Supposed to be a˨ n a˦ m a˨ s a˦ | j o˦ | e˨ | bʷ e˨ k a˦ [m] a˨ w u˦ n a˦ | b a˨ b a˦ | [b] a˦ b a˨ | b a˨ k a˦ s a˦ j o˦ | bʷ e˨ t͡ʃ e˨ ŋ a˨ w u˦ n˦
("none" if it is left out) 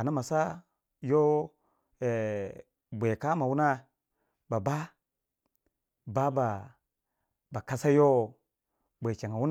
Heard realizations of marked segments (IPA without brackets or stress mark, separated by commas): m, b